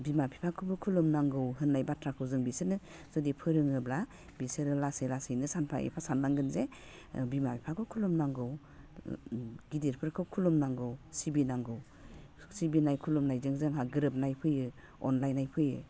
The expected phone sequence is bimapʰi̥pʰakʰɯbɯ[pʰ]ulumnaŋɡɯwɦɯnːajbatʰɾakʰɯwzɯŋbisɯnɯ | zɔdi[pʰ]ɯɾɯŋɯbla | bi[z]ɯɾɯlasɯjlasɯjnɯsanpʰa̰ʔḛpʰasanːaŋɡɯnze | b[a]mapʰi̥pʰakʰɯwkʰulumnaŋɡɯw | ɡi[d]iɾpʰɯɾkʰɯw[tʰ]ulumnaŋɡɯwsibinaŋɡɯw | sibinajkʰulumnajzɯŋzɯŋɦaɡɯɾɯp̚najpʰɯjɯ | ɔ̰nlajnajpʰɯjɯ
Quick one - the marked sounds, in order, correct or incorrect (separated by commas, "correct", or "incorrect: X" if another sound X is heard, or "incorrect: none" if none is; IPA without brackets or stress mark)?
incorrect: kʰ, correct, incorrect: s, incorrect: i, correct, incorrect: kʰ